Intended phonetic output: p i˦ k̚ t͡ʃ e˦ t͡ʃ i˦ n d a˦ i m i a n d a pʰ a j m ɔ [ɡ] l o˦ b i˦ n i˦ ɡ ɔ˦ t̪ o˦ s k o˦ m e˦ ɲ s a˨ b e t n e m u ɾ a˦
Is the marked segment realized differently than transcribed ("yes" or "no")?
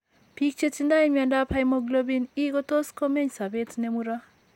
no